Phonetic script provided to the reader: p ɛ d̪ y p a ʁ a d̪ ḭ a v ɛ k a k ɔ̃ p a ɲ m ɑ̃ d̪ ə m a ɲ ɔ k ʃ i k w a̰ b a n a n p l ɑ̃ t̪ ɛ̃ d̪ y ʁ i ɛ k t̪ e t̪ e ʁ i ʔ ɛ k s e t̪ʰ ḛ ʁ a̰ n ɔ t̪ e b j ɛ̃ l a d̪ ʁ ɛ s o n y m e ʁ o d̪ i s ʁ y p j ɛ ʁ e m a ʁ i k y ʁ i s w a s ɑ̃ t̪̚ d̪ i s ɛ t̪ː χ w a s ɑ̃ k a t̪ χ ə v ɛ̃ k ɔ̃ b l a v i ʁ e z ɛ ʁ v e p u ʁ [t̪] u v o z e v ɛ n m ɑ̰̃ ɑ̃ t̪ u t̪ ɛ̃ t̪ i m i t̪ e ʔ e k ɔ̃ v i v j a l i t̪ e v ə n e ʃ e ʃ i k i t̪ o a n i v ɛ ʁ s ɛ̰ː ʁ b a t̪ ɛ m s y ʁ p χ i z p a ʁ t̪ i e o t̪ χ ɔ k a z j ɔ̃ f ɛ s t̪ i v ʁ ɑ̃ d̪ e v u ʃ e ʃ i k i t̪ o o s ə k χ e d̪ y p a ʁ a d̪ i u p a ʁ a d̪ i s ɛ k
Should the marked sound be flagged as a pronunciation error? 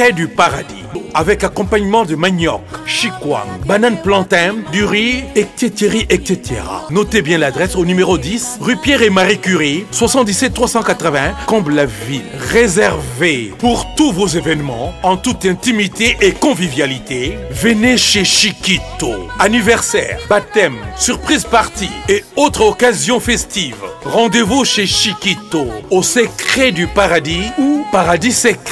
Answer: no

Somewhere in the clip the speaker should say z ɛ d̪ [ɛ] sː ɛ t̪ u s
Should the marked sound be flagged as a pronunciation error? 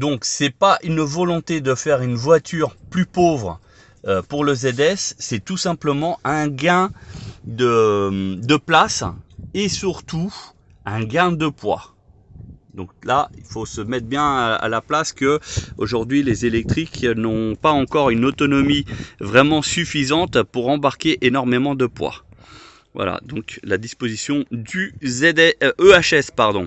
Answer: no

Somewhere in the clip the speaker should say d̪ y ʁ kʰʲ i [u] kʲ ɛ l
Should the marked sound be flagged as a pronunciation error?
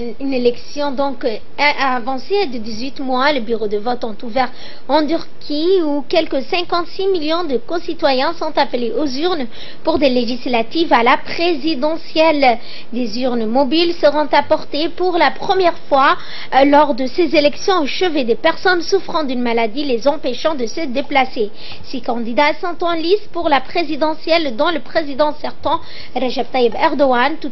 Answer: no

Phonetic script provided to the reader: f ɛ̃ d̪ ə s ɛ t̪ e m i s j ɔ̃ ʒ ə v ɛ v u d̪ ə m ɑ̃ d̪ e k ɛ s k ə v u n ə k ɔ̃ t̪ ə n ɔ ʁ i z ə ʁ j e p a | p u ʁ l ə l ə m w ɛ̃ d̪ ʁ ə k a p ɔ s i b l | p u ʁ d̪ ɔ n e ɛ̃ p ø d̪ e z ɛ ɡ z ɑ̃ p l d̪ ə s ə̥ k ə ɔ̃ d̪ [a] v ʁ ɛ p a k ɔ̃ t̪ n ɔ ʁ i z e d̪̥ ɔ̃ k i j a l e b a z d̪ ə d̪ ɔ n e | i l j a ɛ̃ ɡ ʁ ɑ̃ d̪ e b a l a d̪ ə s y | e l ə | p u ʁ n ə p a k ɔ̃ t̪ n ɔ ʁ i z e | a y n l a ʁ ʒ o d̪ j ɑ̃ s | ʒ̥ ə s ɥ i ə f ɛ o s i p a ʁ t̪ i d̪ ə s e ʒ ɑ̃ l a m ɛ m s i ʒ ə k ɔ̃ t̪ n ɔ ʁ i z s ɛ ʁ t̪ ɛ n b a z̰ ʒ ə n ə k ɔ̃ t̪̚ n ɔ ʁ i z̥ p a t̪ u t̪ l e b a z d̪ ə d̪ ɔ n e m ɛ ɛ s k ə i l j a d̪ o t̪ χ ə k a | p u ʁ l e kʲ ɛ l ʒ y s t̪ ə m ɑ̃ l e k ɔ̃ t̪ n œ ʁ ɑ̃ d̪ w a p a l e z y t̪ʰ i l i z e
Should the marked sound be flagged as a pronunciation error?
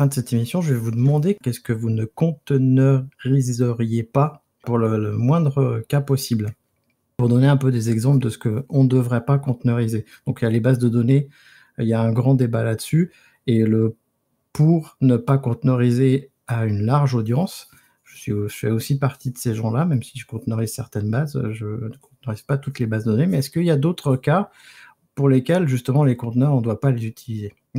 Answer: yes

